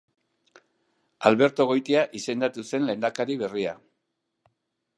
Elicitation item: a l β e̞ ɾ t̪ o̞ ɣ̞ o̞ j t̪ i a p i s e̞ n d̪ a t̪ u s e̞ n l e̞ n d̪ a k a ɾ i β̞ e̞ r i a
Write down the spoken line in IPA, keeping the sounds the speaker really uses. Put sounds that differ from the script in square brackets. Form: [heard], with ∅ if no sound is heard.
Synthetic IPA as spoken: a l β e̞ ɾ t̪ o̞ ɣ̞ o̞ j t̪ i a [ʔ] i s e̞ n d̪ a t̪ u s e̞ n l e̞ n d̪ a k a ɾ i β̞ e̞ r i a